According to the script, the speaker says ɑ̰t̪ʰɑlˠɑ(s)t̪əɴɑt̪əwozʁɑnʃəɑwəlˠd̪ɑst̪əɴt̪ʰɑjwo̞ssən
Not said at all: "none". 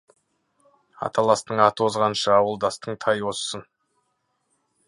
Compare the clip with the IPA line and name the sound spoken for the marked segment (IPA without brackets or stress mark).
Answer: s